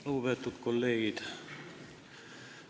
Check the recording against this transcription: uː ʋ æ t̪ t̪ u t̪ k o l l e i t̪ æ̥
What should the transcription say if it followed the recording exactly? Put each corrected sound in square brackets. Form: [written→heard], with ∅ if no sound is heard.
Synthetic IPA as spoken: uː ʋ [æ→e] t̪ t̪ u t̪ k o l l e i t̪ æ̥